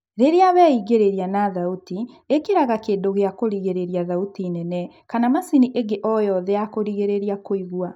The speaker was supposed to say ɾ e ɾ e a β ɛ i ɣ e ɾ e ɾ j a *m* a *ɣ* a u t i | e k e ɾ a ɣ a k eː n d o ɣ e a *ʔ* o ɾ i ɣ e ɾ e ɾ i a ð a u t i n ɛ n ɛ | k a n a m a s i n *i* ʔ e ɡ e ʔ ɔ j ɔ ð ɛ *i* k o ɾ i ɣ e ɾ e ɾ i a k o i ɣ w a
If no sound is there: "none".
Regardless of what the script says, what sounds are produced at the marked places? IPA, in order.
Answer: n, ð, k, i, a

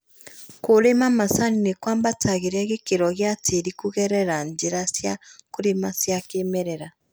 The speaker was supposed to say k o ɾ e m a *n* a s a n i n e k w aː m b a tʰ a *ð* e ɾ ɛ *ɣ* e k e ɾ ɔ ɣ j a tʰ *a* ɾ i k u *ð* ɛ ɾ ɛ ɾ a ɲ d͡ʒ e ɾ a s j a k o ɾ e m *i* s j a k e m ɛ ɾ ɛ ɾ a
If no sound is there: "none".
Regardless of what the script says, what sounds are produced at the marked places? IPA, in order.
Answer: m, ɣ, ɣ, e, ɣ, a

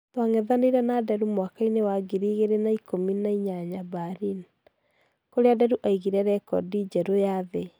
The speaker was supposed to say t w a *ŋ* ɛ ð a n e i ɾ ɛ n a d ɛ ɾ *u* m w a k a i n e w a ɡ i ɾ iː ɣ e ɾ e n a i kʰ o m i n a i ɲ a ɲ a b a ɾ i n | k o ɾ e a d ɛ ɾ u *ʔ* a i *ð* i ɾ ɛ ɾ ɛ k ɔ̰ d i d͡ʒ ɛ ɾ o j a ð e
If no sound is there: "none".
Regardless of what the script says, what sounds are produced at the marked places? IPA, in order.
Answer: ŋ, u, ʔ, ɣ

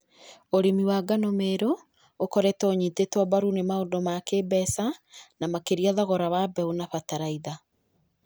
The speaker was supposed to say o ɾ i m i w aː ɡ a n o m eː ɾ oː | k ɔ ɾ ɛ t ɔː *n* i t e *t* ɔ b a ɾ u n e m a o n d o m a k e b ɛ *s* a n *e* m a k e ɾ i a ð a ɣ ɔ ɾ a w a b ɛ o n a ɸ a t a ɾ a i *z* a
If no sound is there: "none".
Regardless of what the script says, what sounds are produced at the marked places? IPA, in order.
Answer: ɲ, t, s, a, ð

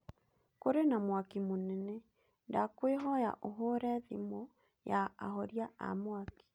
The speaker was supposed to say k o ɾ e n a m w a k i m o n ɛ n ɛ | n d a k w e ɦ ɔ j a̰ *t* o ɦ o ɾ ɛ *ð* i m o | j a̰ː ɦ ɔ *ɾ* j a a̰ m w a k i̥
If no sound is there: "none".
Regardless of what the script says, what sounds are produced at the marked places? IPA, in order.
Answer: ʔ, ð, ɾ

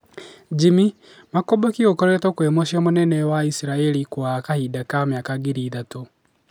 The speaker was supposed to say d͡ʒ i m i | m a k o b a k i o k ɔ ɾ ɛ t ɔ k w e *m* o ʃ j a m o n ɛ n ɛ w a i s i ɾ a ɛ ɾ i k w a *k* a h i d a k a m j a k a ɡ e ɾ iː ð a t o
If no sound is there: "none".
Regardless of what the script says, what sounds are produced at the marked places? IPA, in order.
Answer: m, k

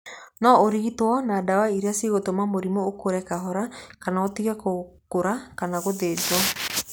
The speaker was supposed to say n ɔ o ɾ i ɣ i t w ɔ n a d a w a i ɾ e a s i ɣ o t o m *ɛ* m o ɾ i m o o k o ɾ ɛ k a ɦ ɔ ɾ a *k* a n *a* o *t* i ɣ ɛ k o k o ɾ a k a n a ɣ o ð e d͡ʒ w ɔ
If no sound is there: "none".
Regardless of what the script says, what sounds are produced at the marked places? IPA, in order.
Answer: a, k, a, t

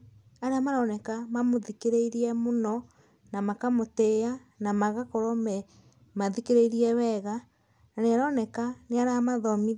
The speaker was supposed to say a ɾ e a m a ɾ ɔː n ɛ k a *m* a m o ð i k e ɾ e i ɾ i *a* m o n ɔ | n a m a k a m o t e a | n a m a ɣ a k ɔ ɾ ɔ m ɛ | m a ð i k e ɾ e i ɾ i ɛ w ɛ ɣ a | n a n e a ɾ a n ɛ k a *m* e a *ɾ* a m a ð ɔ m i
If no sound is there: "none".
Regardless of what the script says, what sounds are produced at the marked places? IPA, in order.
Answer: m, ɛ, n, ɾ

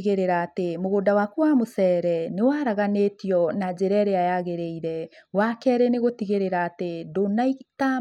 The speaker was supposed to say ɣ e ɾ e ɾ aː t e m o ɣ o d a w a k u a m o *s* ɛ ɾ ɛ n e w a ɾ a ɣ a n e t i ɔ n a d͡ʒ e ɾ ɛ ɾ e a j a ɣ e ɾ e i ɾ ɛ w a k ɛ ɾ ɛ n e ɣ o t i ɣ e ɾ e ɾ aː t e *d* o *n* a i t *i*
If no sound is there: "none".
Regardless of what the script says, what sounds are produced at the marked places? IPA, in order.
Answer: s, d, n, a

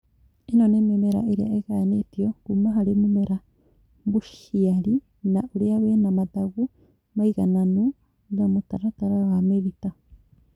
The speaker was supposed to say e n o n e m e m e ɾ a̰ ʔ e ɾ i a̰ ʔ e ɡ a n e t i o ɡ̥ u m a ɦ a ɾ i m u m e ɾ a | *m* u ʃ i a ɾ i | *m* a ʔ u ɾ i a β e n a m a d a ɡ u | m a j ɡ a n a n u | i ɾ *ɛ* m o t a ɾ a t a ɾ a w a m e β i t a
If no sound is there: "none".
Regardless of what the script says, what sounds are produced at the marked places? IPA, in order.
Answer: b, n, a

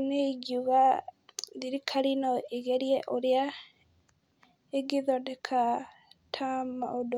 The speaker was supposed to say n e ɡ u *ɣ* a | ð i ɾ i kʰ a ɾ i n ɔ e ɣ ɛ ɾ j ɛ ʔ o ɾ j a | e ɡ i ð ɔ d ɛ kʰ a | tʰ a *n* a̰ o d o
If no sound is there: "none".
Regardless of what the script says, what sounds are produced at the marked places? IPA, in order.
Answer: ɣ, m

